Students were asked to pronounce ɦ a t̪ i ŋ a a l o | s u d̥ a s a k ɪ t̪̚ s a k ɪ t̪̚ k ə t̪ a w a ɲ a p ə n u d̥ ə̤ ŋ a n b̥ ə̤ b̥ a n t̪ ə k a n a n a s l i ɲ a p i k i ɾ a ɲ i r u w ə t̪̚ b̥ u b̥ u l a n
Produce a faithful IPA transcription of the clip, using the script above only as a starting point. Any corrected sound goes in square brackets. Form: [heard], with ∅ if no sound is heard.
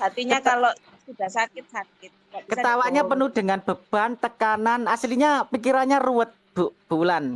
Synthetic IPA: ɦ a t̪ i [ɲ] a a l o | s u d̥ a s a k ɪ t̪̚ s a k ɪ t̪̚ k ə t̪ a w a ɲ a p ə n u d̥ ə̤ ŋ a n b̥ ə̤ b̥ a n t̪ ə k a n a n a s l i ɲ a p i k i ɾ a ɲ [a] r u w ə t̪̚ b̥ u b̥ u l a n